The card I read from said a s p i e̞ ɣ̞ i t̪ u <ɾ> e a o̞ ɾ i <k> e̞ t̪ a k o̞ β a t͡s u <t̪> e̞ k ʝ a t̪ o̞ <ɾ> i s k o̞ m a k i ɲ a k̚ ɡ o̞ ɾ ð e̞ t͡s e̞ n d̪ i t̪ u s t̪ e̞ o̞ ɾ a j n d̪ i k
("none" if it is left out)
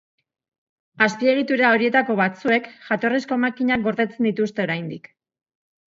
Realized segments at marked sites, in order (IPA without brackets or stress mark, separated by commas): ɾ, none, none, r